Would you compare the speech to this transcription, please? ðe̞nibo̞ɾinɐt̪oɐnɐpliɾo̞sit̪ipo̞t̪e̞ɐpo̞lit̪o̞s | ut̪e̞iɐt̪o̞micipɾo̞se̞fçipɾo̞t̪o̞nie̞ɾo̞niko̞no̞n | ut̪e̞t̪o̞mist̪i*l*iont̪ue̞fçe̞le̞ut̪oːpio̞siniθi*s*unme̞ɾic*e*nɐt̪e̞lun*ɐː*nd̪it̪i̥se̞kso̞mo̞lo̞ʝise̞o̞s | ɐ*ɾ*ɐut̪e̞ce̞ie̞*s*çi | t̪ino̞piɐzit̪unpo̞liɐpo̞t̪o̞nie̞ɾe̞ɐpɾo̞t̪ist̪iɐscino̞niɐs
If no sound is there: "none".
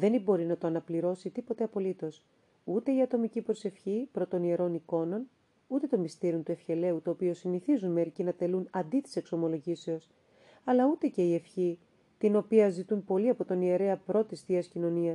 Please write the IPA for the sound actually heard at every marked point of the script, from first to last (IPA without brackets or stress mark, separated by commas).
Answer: ɾ, z, i, ɐ, l, f